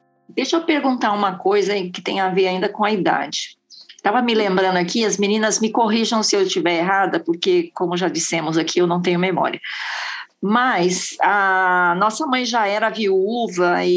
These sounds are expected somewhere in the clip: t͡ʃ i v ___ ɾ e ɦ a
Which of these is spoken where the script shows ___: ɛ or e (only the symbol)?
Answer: ɛ